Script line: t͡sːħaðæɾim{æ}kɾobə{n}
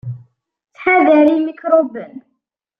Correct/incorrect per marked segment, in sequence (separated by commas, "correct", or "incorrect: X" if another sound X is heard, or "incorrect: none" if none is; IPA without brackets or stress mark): incorrect: i, correct